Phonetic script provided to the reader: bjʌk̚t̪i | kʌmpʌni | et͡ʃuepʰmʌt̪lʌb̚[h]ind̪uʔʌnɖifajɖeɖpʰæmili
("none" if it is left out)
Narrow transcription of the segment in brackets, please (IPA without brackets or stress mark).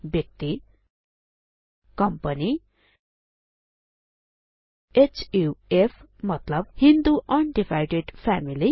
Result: h